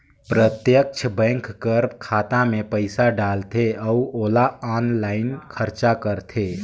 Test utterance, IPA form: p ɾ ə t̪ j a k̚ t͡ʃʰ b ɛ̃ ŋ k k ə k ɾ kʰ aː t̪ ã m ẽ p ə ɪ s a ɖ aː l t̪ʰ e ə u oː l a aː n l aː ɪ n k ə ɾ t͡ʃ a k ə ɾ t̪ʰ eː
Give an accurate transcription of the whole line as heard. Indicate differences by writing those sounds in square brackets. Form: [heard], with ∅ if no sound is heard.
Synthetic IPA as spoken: p ɾ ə t̪ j [ə] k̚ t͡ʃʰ b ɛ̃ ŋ k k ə [∅] ɾ kʰ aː t̪ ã m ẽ p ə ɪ s a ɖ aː l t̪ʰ e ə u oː l a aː n l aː ɪ n [kʰ] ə ɾ t͡ʃ a k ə ɾ t̪ʰ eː